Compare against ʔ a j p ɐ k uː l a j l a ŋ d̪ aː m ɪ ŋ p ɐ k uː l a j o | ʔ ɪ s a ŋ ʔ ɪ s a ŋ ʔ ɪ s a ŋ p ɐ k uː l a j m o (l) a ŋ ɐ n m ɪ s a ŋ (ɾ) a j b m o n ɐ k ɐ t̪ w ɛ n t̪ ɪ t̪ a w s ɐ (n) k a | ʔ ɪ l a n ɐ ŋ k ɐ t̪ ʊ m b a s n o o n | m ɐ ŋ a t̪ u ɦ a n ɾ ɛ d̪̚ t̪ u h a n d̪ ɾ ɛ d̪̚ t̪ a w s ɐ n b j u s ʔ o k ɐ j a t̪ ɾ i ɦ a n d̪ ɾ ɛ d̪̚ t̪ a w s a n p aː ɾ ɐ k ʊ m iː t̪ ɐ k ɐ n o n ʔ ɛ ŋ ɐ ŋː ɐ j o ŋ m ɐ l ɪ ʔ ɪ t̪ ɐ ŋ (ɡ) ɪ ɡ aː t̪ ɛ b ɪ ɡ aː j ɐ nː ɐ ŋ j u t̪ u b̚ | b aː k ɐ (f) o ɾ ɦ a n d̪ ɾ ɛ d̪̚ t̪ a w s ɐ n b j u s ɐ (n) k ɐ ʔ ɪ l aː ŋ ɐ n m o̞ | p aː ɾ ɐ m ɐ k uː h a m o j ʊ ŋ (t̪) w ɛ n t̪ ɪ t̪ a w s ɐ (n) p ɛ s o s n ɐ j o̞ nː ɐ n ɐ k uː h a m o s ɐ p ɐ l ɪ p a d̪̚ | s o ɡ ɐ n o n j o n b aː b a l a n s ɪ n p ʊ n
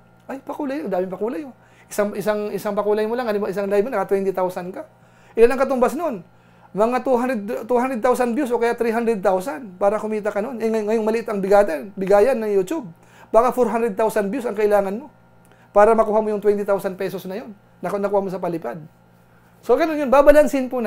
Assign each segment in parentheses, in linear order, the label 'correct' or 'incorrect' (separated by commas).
correct, incorrect, correct, incorrect, correct, incorrect, correct, correct